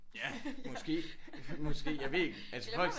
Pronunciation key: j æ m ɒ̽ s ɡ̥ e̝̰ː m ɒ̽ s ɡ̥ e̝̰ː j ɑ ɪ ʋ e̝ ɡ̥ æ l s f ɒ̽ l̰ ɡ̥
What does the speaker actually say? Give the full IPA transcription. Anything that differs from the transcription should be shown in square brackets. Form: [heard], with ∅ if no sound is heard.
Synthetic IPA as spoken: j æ m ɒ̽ s ɡ̥ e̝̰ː m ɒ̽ s ɡ̥ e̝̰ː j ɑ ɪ ʋ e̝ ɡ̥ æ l s f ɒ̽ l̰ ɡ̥